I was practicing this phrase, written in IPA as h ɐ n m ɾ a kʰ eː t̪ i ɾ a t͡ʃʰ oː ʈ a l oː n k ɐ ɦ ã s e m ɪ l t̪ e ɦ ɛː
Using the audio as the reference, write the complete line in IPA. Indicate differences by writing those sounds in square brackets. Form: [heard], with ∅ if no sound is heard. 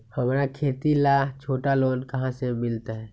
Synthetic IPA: h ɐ [∅] m ɾ a kʰ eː t̪ i [l] a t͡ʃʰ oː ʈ a l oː n k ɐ ɦ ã s e m ɪ l t̪ [a] ɦ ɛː

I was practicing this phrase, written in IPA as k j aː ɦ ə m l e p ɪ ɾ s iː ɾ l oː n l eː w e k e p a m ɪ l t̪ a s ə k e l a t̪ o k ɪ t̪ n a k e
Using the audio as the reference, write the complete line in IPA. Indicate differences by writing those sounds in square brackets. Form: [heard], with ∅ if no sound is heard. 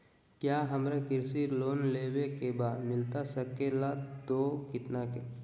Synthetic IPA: k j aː ɦ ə m [ɾ] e [k] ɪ ɾ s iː ɾ l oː n l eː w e k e [b] a m ɪ l t̪ a s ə k e l a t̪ o k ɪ t̪ n a k e

